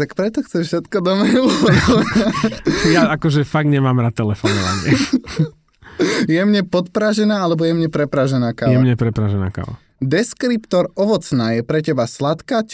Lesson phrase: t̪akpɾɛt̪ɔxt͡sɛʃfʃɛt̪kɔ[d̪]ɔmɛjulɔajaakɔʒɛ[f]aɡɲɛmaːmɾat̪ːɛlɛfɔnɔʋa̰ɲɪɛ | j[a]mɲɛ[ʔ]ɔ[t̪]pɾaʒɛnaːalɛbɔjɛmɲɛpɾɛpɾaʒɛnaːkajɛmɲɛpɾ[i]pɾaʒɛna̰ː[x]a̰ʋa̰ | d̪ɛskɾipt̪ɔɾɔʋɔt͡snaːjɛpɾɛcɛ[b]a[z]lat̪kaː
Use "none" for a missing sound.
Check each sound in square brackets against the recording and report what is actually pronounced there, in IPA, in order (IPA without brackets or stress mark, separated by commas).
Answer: d̪, f, ɛ, p, t̪, ɛ, k, b, s